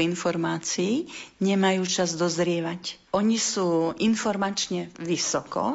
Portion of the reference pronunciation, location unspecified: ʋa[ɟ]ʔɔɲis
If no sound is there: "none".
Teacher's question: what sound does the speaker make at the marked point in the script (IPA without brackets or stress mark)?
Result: c